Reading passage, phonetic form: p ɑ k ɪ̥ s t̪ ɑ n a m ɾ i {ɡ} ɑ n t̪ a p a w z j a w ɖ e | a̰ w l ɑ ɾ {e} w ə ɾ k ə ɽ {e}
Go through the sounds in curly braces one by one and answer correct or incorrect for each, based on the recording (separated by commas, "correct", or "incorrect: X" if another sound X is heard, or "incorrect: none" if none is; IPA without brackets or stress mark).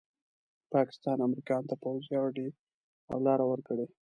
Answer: incorrect: k, incorrect: a, correct